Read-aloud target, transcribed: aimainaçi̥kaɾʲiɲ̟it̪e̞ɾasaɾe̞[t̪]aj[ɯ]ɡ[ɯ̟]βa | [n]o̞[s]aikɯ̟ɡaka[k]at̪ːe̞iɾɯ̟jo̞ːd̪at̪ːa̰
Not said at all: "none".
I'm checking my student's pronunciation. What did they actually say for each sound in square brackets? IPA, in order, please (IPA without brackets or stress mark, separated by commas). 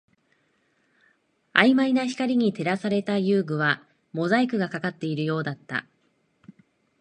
t̪, ɯː, ɯ̟, m, z, k